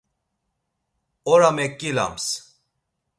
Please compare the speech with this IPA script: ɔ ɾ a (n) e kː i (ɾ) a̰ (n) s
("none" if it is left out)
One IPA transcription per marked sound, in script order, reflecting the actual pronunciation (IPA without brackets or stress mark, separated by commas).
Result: m, l, m